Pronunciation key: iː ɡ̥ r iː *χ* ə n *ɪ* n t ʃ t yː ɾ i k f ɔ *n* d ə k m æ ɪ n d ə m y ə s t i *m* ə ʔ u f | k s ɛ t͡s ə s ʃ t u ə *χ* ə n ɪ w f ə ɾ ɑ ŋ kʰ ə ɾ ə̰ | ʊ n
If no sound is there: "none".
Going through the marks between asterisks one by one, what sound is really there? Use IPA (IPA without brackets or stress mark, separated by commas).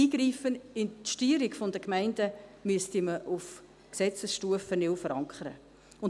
f, ɪ, n, m, f